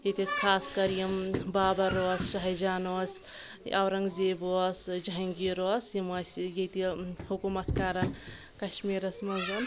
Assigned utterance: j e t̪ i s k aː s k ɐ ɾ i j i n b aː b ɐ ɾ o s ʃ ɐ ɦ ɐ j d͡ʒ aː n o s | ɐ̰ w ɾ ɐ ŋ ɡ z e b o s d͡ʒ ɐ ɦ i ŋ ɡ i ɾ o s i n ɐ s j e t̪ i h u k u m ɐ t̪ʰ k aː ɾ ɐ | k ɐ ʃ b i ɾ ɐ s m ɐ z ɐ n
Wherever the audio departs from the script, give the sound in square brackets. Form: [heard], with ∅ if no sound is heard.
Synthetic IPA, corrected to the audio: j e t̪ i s [kʰ] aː s k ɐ ɾ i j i [m] b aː b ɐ ɾ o s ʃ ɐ ɦ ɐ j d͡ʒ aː n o s | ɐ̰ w ɾ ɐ ŋ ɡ z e b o s d͡ʒ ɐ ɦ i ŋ ɡ i ɾ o s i [m] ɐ s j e t̪ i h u k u m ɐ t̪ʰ k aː ɾ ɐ | k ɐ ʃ [m] i ɾ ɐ s m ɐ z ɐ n